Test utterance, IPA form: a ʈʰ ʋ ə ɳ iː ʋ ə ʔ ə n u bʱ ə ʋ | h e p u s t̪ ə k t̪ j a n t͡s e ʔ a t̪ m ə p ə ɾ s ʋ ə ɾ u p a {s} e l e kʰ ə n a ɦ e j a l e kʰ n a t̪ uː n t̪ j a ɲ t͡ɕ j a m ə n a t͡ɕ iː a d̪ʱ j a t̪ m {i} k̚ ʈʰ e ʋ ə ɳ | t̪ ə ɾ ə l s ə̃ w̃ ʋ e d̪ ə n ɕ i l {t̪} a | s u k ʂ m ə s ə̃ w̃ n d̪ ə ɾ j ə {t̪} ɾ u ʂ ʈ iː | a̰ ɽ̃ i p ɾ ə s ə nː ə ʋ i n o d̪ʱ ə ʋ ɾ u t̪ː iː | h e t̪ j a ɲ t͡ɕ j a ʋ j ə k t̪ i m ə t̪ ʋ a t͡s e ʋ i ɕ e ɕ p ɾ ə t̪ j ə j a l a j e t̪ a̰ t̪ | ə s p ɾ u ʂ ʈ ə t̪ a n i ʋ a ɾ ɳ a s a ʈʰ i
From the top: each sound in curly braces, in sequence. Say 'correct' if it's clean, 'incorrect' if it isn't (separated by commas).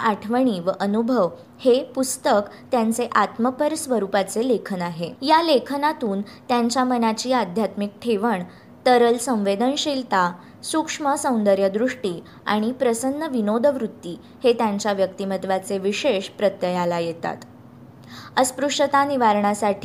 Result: incorrect, correct, correct, incorrect